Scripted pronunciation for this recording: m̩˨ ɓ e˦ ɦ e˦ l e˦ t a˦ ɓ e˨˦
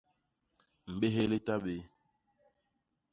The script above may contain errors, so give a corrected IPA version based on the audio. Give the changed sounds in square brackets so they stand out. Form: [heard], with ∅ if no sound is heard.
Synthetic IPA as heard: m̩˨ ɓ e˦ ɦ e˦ l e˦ t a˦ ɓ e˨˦